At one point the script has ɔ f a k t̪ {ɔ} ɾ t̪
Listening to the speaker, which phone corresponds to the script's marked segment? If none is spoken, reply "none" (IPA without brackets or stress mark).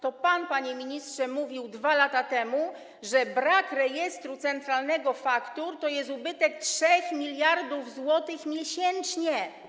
u